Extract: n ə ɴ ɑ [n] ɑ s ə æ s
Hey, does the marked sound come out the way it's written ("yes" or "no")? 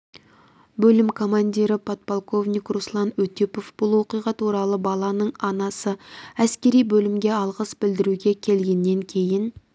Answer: yes